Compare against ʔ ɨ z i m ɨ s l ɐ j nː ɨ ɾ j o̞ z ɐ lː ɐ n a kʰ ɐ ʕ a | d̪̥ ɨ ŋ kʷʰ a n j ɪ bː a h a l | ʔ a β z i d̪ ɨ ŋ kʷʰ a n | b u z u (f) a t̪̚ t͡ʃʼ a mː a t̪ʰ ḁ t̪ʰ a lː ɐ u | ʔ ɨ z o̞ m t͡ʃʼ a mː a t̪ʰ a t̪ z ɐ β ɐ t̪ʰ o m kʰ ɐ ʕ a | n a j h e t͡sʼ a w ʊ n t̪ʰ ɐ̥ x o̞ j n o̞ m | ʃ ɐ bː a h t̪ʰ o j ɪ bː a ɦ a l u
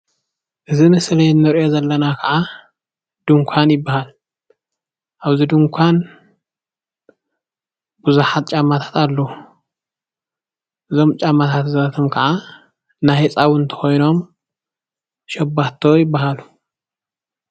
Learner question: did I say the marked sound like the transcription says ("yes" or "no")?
no